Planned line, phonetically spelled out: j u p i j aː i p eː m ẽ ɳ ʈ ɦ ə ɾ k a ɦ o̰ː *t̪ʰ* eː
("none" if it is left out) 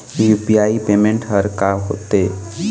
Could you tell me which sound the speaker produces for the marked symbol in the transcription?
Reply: t̪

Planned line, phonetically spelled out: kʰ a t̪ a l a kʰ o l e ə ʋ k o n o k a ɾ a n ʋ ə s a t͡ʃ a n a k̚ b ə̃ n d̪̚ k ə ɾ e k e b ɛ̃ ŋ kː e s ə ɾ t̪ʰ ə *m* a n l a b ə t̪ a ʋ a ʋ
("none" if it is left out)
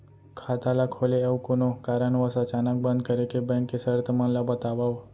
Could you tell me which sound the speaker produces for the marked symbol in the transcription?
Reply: m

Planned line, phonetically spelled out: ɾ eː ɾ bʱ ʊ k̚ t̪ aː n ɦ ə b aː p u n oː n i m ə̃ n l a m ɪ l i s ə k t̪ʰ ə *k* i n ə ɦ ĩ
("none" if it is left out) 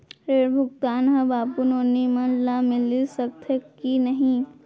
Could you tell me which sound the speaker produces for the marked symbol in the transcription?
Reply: k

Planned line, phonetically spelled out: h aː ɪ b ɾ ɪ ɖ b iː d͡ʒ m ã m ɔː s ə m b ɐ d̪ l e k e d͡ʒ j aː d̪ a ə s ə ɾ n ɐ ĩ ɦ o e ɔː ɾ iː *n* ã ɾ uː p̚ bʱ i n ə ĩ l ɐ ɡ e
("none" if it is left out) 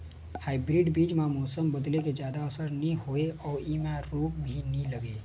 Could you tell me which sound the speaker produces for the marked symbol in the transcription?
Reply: m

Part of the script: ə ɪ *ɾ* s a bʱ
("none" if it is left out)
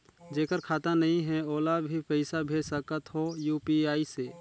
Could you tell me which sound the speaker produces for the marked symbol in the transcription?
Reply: none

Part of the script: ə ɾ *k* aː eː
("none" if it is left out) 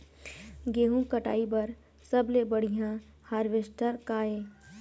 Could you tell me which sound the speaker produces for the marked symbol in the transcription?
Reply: k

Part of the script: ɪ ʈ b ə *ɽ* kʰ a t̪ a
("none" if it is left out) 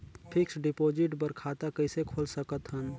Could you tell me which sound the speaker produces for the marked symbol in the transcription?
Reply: ɾ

